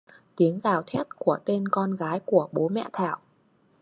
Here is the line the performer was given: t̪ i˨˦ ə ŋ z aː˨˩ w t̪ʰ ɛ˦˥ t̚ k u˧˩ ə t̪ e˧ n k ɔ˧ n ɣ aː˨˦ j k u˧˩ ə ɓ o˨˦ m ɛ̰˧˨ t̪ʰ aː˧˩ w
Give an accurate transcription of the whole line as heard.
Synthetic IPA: t̪ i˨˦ ə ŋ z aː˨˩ w t̪ʰ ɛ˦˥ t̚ k u˧˩ ə t̪ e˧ n k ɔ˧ n ɣ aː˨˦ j k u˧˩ ə ɓ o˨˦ m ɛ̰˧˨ t̪ʰ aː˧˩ w